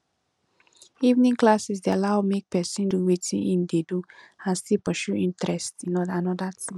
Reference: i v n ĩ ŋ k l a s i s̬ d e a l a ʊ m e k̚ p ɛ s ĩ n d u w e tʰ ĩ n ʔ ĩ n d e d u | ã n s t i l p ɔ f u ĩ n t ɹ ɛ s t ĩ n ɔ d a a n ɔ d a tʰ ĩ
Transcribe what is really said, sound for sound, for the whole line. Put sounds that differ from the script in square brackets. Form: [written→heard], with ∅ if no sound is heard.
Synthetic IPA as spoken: i v n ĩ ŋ k l a s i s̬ d e a l a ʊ m e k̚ p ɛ s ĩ n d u w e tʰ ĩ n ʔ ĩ n d e d u | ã n s t i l p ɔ [f→ʃ] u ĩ n t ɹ ɛ s t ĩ n ɔ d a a n ɔ d a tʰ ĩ